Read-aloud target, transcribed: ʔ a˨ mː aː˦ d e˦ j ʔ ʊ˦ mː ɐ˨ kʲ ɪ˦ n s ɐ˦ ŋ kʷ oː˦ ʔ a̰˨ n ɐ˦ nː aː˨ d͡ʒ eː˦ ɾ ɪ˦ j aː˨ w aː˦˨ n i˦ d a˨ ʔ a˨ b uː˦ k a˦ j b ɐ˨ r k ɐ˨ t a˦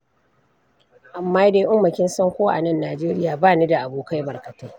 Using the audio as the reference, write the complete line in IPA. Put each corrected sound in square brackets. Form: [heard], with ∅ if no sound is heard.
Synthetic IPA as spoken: ʔ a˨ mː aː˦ d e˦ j ʔ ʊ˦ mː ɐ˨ kʲ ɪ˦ n s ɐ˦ ŋ kʷ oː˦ ʔ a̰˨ n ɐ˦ nː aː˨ d͡ʒ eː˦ ɾ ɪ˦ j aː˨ [b] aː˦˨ n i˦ d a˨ ʔ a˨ b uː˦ k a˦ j b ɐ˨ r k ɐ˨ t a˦